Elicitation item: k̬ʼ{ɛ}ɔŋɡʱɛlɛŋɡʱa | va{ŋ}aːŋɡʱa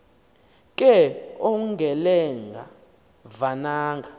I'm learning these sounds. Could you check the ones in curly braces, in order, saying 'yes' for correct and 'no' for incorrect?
yes, no

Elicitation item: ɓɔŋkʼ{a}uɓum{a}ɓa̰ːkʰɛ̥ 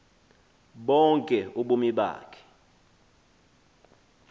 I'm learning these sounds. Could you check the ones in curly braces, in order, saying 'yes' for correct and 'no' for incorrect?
no, no

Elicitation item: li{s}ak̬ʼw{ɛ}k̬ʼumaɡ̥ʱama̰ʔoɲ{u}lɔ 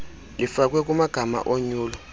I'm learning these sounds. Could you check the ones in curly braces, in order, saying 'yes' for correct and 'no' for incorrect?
no, yes, no

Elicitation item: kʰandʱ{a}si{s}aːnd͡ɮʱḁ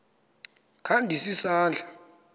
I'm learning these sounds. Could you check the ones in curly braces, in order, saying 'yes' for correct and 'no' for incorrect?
no, yes

